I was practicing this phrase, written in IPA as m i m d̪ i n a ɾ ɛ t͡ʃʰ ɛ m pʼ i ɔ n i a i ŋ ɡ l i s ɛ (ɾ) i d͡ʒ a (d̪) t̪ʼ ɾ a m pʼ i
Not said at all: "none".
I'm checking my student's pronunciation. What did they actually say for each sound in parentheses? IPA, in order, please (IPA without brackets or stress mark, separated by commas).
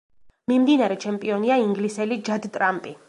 l, d̪